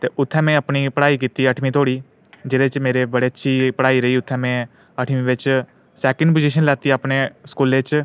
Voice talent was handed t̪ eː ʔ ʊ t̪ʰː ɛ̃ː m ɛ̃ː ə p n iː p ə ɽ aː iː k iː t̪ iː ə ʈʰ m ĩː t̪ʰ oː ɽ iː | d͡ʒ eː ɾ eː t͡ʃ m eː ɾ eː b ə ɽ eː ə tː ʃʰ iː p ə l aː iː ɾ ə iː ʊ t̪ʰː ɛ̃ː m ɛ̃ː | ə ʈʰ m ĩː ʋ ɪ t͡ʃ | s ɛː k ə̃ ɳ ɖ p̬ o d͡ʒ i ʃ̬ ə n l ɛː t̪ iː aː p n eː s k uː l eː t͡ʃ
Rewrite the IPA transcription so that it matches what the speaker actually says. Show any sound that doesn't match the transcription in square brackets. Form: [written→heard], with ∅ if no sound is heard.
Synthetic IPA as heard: t̪ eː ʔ ʊ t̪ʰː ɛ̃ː m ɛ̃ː ə p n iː p ə ɽ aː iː k iː t̪ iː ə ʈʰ m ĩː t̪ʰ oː ɽ iː | d͡ʒ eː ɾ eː t͡ʃ m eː ɾ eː b ə ɽ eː ə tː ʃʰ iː p ə [l→ɽ] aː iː ɾ ə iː ʊ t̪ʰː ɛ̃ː m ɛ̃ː | ə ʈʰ m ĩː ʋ ɪ t͡ʃ | s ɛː k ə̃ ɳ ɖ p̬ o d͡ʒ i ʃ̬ ə n l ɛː t̪ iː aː p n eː s k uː l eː t͡ʃ